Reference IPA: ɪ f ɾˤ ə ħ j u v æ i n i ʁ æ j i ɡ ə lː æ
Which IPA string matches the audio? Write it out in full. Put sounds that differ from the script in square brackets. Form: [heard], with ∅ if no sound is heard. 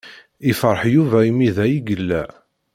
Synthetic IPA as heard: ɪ f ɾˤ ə ħ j u v æ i [m] i [ð] æ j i ɡ ə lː æ